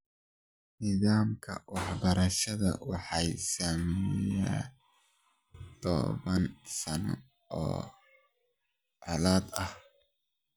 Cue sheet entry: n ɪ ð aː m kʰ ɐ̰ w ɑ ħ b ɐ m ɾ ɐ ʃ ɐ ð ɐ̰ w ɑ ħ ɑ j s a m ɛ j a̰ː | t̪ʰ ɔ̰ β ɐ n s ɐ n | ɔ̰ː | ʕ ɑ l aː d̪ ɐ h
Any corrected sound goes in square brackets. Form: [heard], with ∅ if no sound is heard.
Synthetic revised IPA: n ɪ ð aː m kʰ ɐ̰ w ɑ ħ b ɐ [∅] ɾ ɐ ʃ ɐ ð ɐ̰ w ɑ ħ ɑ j s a m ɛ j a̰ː | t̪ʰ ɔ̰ β ɐ n s ɐ n | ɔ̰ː | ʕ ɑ l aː d̪ ɐ h